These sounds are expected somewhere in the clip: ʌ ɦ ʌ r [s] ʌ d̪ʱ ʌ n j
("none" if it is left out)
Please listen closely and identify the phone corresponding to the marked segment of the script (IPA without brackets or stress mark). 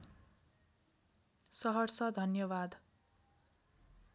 s